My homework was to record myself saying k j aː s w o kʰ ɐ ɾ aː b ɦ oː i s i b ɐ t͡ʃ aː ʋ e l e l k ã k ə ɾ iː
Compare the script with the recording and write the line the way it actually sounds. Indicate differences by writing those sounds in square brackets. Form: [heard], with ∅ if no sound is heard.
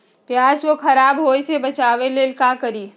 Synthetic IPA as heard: [p] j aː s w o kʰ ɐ ɾ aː b ɦ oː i s [e] b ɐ t͡ʃ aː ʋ e l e l k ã k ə ɾ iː